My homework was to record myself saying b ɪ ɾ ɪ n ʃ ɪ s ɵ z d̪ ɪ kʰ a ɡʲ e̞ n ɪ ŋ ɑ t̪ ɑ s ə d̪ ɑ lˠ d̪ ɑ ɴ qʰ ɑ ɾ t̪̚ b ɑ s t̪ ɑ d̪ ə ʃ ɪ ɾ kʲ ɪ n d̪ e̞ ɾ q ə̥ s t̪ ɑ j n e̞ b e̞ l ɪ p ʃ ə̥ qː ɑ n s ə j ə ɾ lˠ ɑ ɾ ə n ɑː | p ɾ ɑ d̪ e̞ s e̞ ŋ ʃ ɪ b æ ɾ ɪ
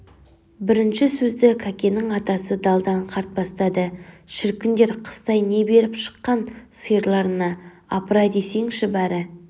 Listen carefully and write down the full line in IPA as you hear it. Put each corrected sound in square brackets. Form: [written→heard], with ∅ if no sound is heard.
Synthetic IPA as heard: b ɪ ɾ ɪ n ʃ ɪ s ɵ z d̪ ɪ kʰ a [ɡʲ→kʲ] e̞ n ɪ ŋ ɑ t̪ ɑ s ə d̪ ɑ lˠ d̪ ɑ ɴ qʰ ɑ ɾ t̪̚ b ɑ s t̪ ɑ d̪ ə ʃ ɪ ɾ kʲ ɪ n d̪ e̞ ɾ [q→qʰ] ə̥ s t̪ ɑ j n e̞ b e̞ [l→ɾ] ɪ p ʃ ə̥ qː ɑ n s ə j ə ɾ lˠ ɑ ɾ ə n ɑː | p ɾ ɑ d̪ e̞ s e̞ ŋ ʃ ɪ b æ ɾ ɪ